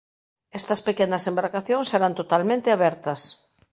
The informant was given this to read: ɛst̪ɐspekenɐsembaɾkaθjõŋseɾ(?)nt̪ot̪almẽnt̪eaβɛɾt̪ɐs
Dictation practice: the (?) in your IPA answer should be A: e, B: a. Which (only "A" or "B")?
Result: B